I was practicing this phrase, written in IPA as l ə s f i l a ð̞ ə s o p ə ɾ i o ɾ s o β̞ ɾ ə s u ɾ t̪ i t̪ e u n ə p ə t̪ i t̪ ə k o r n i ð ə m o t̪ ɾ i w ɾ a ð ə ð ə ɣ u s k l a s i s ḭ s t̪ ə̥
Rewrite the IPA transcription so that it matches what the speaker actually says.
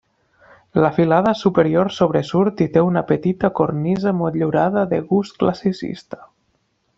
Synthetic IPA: l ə f i l a ð̞ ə s u p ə ɾ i o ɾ s o β̞ ɾ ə s u ɾ t̪ i t̪ e u n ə p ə t̪ i t̪ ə k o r n i z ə m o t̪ ʎ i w ɾ a ð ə ð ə ɣ u s k l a s i s ḭ s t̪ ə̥